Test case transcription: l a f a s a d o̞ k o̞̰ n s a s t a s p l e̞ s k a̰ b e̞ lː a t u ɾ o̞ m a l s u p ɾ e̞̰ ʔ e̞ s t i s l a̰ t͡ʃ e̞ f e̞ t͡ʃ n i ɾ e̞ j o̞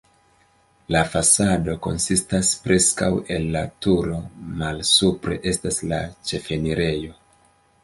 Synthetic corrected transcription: l a f a s a d o̞ k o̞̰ n s i s t a s p ɾ e̞ s k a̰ w e̞ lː a t u ɾ o̞ m a l s u p ɾ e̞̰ ʔ e̞ s t a s l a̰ t͡ʃ e̞ f e̞ n i ɾ e̞ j o̞

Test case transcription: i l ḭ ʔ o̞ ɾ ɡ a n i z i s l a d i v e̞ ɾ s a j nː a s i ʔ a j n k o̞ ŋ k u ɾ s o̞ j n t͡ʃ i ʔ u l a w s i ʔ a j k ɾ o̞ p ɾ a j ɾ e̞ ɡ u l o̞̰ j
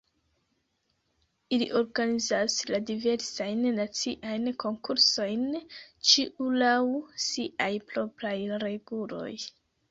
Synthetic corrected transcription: i l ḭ ʔ o̞ ɾ ɡ a n i z a s l a d i v e̞ ɾ s a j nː a t͡s i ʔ a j n k o̞ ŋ k u ɾ s o̞ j n t͡ʃ i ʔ u l a w s i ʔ a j p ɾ o̞ p ɾ a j ɾ e̞ ɡ u l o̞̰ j

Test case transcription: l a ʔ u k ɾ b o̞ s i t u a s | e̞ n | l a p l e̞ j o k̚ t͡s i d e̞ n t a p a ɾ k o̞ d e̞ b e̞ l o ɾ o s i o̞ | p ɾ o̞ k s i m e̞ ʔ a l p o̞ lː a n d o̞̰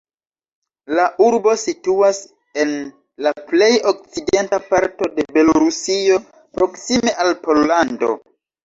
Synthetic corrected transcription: l a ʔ u ɾ b o̞ s i t u a s | e̞ n | l a p l e̞ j o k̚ t͡s i d e̞ n t a p a ɾ t o̞ d e̞ b e̞ l o ɾ u s i o̞ | p ɾ o̞ k s i m e̞ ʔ a l p o̞ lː a n d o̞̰

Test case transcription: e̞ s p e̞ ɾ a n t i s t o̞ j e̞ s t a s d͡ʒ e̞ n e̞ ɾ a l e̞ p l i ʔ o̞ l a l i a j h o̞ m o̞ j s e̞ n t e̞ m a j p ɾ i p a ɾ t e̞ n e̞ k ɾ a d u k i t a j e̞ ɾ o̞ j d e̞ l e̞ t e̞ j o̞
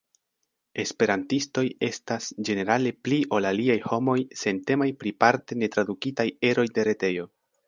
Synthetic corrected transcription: e̞ s p e̞ ɾ a n t i s t o̞ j e̞ s t a s d͡ʒ e̞ n e̞ ɾ a l e̞ p l i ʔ o̞ l a l i a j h o̞ m o̞ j s e̞ n t e̞ m a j p ɾ i p a ɾ t e̞ n e̞ t ɾ a d u k i t a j e̞ ɾ o̞ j d e̞ ɾ e̞ t e̞ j o̞

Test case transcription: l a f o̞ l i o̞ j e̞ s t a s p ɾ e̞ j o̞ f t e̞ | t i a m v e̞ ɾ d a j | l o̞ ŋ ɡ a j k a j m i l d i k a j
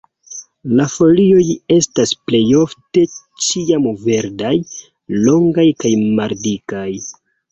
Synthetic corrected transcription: l a f o̞ l i o̞ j e̞ s t a s p l e̞ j o̞ f t e̞ | t͡ʃ i a m v e̞ ɾ d a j | l o̞ ŋ ɡ a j k a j m a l d i k a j

